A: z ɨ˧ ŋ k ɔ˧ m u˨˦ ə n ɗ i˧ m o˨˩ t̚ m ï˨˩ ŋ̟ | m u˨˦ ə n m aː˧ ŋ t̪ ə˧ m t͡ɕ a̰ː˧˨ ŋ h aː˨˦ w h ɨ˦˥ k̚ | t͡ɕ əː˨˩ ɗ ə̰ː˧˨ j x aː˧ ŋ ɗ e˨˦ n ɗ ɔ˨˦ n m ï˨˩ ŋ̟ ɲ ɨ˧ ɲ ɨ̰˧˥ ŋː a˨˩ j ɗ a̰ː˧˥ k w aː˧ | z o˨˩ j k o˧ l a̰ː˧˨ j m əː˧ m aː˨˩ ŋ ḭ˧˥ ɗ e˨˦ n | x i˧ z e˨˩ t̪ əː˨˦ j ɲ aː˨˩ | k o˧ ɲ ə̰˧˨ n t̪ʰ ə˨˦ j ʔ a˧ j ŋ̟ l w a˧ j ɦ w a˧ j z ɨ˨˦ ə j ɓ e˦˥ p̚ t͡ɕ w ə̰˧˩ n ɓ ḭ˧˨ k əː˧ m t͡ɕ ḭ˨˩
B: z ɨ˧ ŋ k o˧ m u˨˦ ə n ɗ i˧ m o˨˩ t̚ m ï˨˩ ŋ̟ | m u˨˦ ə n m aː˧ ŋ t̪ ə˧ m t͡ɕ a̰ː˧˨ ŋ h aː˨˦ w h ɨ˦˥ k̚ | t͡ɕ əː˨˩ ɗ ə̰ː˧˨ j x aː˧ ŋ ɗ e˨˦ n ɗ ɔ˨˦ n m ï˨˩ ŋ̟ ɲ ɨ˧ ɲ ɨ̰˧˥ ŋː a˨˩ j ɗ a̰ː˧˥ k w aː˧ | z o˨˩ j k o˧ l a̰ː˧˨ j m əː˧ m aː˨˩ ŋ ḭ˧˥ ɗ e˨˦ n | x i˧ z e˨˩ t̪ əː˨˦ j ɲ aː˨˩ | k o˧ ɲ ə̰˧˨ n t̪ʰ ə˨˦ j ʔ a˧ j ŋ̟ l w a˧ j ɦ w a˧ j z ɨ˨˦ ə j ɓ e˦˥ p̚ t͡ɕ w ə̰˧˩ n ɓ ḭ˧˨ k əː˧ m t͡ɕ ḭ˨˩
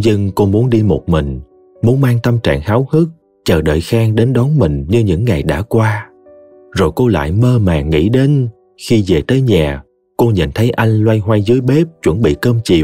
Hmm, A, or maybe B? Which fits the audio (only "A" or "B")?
B